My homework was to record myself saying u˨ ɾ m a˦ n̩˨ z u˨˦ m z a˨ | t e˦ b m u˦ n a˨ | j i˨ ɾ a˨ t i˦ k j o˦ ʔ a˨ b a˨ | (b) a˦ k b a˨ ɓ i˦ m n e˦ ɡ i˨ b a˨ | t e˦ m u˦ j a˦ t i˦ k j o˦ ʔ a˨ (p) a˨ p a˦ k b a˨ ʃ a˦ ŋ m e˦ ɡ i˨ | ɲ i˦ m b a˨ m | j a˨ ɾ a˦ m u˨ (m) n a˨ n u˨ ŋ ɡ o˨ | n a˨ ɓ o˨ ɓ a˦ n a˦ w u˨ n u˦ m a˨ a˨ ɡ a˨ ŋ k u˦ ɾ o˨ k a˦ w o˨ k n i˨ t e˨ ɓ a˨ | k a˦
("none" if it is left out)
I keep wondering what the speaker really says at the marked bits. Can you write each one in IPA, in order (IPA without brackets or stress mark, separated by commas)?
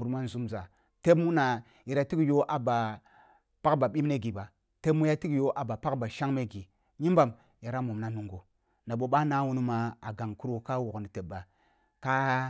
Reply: p, b, m